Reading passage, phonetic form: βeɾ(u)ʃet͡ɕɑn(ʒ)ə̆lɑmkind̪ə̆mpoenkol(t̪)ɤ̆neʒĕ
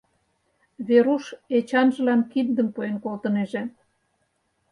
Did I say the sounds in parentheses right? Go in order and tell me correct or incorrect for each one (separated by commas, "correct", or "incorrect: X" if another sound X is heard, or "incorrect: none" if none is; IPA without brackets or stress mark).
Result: correct, correct, correct